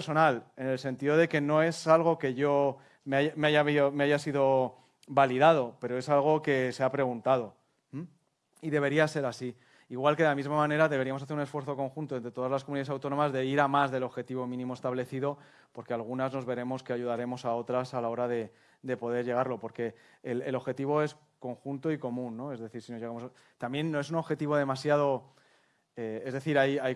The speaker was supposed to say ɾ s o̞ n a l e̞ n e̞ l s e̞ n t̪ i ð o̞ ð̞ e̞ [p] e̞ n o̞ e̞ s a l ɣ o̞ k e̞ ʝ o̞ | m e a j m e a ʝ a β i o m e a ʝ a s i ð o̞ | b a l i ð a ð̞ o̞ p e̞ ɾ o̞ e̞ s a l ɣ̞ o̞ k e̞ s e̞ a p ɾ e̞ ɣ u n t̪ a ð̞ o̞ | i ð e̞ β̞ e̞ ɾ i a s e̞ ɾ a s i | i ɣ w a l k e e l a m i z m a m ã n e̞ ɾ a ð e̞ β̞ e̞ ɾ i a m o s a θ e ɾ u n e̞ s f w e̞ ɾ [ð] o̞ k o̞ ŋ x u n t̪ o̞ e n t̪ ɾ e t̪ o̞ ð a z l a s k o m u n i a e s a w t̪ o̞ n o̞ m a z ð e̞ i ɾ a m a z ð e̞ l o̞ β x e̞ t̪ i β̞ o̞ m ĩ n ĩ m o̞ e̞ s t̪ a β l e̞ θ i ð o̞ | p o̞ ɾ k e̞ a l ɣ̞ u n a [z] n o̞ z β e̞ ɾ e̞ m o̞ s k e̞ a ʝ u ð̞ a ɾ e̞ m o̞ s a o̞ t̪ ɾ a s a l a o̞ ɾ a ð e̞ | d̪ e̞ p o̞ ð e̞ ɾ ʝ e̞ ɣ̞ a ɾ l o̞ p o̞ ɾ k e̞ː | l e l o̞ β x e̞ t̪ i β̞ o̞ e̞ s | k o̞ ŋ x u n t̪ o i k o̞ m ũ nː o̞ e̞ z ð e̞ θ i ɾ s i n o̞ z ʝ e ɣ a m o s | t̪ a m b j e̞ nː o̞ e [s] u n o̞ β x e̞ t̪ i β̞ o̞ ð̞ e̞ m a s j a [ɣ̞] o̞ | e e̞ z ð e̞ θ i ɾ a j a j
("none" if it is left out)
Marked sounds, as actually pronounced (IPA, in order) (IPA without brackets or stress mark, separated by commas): k, θ, z, s, ð̞